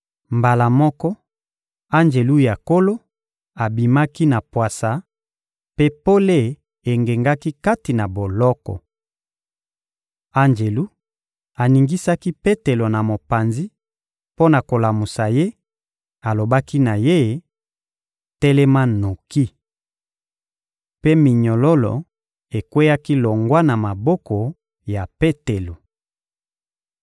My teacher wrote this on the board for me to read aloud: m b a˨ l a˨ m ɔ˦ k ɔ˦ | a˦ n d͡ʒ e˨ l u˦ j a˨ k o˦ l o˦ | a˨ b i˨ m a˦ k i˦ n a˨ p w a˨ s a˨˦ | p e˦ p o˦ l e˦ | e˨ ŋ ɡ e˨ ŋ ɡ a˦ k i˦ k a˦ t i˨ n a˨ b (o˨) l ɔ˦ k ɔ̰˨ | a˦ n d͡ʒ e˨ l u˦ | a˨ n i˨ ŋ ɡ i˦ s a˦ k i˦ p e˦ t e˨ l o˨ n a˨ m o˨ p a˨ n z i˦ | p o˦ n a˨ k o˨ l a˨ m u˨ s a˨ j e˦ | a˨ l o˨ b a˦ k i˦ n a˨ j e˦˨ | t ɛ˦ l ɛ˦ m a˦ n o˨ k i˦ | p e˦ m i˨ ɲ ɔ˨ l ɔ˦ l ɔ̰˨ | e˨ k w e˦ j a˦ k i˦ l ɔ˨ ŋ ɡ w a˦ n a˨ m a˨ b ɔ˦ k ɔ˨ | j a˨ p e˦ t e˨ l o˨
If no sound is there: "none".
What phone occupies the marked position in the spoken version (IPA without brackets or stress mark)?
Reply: o˨